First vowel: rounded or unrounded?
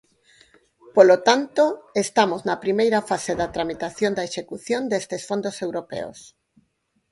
rounded